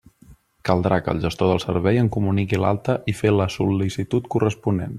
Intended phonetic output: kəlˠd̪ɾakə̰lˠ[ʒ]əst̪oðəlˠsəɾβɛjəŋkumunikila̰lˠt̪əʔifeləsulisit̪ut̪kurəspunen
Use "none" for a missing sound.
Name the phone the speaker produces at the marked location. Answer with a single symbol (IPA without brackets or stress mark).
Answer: ʒ